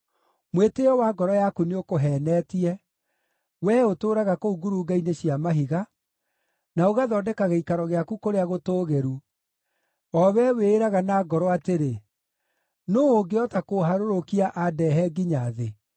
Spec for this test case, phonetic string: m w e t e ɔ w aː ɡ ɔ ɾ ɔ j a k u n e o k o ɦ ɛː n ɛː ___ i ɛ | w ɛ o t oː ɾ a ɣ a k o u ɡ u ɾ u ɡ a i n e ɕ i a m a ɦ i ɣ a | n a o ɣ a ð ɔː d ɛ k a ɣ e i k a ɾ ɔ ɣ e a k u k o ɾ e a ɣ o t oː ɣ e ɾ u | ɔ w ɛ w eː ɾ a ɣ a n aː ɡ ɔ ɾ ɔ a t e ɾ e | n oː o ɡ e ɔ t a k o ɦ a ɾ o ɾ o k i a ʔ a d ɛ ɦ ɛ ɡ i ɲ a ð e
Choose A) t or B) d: A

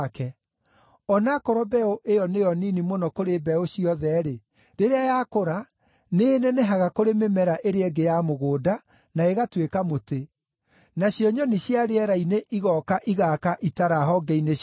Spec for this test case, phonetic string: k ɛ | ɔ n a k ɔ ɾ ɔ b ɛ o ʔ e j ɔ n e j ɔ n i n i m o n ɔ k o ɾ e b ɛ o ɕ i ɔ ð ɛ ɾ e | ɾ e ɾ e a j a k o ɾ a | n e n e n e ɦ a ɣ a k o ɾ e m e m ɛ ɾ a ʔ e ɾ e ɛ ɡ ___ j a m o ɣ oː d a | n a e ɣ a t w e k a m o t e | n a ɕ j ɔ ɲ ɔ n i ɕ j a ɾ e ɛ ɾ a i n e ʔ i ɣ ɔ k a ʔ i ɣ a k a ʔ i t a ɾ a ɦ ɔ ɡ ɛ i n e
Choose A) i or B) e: B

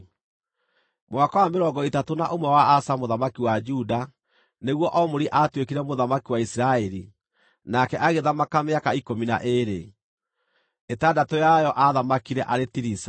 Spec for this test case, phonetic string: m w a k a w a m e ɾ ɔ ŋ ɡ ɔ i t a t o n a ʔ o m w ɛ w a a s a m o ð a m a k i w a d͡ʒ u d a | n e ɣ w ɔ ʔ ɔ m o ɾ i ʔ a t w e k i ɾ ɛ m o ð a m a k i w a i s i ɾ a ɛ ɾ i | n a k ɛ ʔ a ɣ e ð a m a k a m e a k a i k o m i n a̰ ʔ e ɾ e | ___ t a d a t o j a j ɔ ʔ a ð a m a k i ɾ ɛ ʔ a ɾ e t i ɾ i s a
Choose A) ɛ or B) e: B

